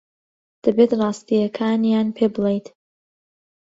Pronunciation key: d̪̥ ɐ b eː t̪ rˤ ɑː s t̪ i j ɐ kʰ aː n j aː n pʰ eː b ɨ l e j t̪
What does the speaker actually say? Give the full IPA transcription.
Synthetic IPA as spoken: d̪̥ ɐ b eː t̪ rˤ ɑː s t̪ i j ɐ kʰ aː n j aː n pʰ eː b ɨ l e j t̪